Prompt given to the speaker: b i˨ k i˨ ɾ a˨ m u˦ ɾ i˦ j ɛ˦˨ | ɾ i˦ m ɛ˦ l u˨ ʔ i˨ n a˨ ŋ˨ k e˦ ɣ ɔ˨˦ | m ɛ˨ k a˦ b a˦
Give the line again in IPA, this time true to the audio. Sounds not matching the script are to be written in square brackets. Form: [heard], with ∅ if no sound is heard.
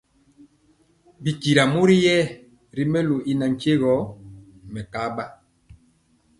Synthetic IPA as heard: b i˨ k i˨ ɾ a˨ m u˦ ɾ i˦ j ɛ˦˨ | ɾ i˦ m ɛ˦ l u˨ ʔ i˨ n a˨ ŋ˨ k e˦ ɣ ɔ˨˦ | m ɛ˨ k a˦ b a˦